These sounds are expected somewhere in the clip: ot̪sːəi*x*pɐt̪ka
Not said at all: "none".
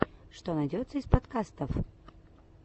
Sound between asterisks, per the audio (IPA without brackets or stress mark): s